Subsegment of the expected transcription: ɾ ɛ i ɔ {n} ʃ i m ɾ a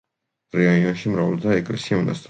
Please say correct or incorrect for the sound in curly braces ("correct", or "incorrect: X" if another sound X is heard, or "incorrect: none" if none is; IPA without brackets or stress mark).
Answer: correct